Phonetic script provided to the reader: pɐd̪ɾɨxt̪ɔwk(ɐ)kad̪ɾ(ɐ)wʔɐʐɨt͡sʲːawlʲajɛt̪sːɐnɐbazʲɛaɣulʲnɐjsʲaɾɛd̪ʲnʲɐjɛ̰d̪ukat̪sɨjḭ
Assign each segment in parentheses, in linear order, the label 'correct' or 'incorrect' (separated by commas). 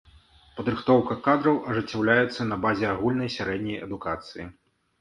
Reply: correct, correct